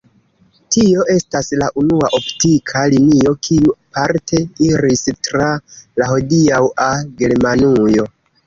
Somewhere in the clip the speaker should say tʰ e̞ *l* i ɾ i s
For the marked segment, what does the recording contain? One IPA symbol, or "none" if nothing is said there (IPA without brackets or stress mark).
none